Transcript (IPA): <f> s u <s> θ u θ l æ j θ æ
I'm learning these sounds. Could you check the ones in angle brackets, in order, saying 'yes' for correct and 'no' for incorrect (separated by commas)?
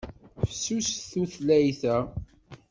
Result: yes, yes